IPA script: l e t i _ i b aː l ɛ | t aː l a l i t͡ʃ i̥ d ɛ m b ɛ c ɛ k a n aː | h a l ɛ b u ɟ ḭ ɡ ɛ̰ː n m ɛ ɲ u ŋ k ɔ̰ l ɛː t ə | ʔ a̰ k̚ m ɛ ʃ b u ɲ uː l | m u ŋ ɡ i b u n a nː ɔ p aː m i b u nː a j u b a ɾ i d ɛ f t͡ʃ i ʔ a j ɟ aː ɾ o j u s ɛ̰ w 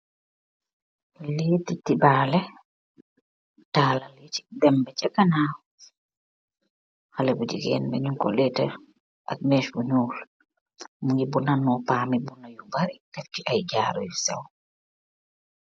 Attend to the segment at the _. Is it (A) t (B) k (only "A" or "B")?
A